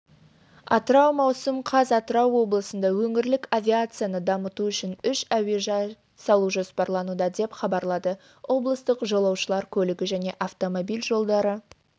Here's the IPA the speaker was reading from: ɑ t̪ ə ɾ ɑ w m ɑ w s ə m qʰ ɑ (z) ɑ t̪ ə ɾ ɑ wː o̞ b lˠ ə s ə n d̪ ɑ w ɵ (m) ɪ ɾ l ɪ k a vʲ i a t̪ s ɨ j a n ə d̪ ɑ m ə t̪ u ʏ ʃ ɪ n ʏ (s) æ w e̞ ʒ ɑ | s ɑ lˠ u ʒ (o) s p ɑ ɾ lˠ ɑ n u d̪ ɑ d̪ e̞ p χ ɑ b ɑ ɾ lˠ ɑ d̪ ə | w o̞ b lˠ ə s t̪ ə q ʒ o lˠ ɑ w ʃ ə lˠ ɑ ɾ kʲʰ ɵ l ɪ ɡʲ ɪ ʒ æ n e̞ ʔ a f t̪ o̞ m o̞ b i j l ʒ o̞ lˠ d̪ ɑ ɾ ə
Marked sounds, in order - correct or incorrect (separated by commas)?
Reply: correct, incorrect, incorrect, correct